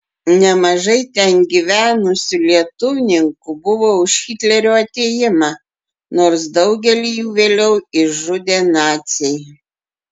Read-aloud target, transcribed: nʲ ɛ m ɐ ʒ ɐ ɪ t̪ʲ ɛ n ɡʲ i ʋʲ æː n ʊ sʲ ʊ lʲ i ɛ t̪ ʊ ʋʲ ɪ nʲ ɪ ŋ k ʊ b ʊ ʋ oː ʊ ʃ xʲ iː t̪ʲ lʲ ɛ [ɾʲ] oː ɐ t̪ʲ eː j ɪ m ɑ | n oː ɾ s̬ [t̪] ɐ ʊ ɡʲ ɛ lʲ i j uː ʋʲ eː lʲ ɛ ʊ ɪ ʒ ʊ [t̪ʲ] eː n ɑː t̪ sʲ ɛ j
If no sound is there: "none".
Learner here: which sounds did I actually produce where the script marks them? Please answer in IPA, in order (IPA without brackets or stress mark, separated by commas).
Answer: ɾʲ, d̪, d̪ʲ